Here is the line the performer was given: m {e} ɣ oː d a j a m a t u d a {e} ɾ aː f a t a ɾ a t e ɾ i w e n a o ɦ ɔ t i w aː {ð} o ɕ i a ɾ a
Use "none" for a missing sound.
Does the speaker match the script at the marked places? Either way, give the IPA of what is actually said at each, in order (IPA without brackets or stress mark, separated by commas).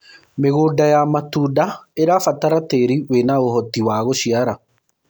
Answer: e, e, ɣ